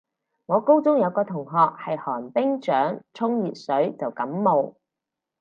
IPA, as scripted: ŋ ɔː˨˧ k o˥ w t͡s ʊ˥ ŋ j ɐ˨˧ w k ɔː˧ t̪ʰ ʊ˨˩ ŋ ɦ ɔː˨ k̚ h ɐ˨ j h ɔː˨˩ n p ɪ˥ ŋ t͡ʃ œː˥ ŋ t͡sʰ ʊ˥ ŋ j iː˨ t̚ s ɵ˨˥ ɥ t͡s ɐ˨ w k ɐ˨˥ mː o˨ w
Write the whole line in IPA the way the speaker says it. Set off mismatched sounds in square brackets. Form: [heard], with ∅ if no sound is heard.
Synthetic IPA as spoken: ŋ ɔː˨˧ k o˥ w t͡s ʊ˥ ŋ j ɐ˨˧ w k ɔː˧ t̪ʰ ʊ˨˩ ŋ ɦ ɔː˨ k̚ h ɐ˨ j h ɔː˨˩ n p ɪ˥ ŋ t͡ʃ [œː˨˥] ŋ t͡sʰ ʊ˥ ŋ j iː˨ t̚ s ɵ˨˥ ɥ t͡s ɐ˨ w k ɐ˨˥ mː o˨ w